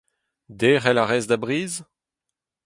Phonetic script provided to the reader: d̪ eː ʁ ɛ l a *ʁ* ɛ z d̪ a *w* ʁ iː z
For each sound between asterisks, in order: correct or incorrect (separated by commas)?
correct, incorrect